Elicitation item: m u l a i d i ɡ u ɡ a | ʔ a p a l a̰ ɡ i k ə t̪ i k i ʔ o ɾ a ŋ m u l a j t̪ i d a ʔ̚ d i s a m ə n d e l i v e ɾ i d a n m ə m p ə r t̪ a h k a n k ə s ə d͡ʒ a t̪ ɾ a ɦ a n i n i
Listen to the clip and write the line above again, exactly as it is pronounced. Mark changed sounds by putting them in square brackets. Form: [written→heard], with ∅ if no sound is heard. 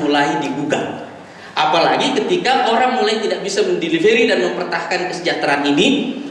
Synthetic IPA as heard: m u l a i d i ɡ u ɡ a | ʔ a p a l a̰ ɡ i k ə t̪ i k [i→a] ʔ o ɾ a ŋ m u l a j t̪ i d a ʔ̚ [d→b] i s a m ə n d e l i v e ɾ i d a n m ə m p ə r t̪ a h k a n k ə s ə d͡ʒ a t̪ ɾ a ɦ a n i n i